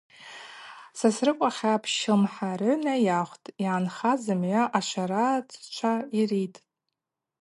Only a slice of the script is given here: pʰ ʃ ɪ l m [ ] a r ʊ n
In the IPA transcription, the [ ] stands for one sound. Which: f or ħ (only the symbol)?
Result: ħ